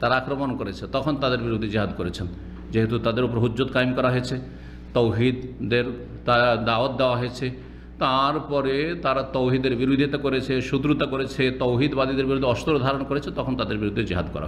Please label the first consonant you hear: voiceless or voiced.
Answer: voiceless